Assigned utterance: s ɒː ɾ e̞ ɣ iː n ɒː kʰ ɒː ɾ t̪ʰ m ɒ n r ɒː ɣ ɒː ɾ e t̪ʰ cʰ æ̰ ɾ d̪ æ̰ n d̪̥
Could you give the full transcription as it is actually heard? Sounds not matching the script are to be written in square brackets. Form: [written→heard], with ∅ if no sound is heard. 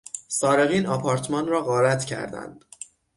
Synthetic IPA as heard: s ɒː ɾ e̞ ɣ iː n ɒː [kʰ→pʰ] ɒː ɾ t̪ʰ m ɒ n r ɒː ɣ ɒː ɾ [e→æ] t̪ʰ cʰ æ̰ ɾ d̪ æ̰ n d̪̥